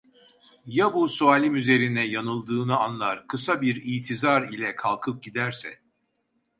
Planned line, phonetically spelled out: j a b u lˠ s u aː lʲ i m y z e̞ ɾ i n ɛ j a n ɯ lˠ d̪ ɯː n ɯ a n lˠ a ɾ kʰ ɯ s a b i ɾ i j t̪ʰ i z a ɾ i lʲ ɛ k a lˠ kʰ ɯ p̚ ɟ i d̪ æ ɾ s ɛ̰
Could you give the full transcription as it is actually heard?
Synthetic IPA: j a b u s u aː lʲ i m y z e̞ ɾ i n ɛ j a n ɯ lˠ d̪ ɯː n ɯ a n lˠ a ɾ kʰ ɯ s a b i ɾ i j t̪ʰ i z a ɾ i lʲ ɛ kʰ a lˠ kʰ ɯ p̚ ɟ i d̪ æ ɾ s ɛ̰